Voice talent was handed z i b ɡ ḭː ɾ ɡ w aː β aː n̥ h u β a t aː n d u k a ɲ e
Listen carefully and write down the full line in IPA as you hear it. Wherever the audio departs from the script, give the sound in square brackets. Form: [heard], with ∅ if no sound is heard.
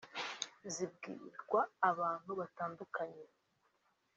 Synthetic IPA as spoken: z i b ɡ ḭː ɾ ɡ w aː β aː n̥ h u β a t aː n d u k a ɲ e